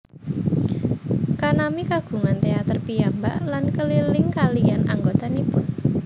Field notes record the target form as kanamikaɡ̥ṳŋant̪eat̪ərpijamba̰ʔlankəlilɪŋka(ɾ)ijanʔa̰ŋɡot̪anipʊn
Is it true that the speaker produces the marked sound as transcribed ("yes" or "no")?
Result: no